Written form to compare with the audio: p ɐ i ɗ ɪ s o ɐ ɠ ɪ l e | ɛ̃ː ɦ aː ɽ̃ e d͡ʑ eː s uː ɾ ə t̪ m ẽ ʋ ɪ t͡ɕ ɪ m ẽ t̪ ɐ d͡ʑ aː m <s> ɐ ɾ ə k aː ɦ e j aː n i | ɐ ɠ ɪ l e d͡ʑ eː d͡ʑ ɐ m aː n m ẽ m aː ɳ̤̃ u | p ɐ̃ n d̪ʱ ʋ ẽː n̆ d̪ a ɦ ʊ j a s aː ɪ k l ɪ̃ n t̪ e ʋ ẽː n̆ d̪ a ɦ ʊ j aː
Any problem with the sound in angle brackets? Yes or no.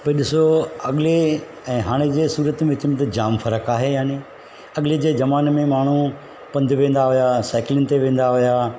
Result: yes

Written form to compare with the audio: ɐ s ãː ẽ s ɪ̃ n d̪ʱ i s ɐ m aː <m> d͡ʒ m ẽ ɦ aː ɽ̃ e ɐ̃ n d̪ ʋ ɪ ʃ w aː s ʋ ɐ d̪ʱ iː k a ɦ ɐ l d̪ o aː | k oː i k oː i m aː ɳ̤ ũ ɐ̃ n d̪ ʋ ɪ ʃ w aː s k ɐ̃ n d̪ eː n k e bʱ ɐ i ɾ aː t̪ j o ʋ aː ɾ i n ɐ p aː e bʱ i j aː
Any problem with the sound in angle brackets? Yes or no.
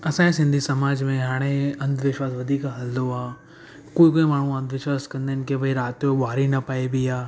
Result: yes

